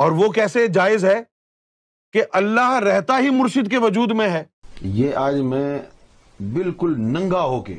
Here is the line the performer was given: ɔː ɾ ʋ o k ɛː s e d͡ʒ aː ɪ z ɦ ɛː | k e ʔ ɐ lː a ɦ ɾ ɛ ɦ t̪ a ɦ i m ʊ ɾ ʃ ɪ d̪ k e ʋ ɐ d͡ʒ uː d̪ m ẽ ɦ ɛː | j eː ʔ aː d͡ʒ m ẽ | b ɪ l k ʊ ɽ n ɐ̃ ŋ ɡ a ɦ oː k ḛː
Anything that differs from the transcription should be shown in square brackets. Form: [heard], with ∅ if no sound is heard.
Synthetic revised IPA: ɔː ɾ ʋ o k ɛː s e d͡ʒ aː ɪ z ɦ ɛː | k e ʔ ɐ lː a ɦ ɾ ɛ ɦ t̪ a ɦ i m ʊ ɾ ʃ ɪ d̪ k e ʋ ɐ d͡ʒ uː d̪ m ẽ ɦ ɛː | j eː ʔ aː d͡ʒ m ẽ | b ɪ l k ʊ [l] n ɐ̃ ŋ ɡ a ɦ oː k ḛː